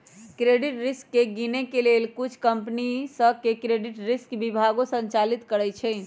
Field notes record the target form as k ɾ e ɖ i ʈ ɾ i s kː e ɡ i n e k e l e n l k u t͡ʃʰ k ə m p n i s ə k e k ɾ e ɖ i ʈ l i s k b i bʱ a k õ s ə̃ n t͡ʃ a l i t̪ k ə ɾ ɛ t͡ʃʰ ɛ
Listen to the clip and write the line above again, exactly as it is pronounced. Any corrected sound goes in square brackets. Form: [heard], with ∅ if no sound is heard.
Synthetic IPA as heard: k ɾ e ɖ i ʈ ɾ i s kː e ɡ i n e k e l e [∅] l k u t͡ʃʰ k ə m p n i s ə k e k ɾ e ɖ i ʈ [ɾ] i s k b i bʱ a [ɡ] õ s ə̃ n t͡ʃ a l i t̪ k ə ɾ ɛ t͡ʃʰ ɛ